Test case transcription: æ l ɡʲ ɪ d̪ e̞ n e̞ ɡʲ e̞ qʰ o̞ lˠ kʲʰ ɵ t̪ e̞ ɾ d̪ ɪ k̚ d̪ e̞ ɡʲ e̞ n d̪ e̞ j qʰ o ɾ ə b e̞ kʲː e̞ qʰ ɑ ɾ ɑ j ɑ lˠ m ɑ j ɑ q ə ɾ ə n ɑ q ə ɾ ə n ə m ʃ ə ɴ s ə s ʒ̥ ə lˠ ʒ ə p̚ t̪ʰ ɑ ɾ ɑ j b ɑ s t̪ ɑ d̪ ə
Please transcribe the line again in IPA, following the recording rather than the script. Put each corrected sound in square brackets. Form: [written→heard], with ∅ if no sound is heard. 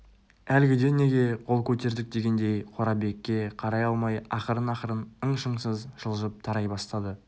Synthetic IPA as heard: æ l ɡʲ ɪ d̪ e̞ n e̞ ɡʲ e̞ qʰ o̞ lˠ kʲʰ ɵ t̪ e̞ ɾ d̪ ɪ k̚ d̪ e̞ ɡʲ e̞ n d̪ e̞ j qʰ o ɾ [ə→ɑ] b e̞ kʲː e̞ qʰ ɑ ɾ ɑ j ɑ lˠ m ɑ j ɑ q ə ɾ ə n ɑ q ə ɾ ə n ə [m→ɴ] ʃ ə ɴ s ə [s→z] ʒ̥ ə lˠ ʒ ə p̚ t̪ʰ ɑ ɾ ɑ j b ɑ s t̪ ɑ d̪ ə